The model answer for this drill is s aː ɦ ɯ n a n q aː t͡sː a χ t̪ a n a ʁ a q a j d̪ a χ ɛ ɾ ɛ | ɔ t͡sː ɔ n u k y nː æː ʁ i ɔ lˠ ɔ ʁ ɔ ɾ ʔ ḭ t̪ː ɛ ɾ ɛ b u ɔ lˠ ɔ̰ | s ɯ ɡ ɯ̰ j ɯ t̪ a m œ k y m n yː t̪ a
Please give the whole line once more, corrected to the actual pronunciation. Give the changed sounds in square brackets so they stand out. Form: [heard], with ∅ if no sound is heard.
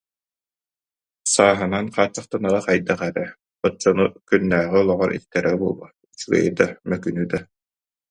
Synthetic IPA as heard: s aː ɦ ɯ n a n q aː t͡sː a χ t̪ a n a ʁ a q a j d̪ a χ ɛ ɾ ɛ | ɔ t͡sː ɔ n u k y nː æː ʁ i ɔ lˠ ɔ ʁ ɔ ɾ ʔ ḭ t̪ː ɛ ɾ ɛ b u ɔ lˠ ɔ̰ | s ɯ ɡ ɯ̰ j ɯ [d̪] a m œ k y [∅] n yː [d̪] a